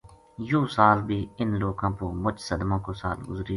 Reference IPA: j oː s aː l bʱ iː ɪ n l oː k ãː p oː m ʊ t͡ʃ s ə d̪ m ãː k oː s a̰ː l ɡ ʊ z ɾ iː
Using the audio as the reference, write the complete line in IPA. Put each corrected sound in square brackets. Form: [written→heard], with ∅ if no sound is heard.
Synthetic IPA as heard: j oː s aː l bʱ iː ɪ n l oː k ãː p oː m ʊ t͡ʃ s ə d̪ m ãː k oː s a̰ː l ɡ ʊ z ɾ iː